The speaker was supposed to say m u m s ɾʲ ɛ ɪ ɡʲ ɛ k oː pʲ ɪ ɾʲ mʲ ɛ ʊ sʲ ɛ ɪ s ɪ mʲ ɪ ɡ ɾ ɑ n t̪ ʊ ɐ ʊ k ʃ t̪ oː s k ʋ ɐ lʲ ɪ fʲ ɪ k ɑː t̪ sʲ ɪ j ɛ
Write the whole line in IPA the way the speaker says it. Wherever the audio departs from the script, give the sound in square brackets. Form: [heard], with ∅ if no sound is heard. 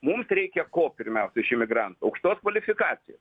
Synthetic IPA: m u m s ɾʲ ɛ ɪ [kʲ] ɛ k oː pʲ ɪ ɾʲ mʲ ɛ ʊ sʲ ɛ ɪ [ʃ] ɪ mʲ ɪ ɡ ɾ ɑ n t̪ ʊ ɐ ʊ k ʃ t̪ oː s k ʋ ɐ lʲ ɪ fʲ ɪ k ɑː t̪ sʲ ɪ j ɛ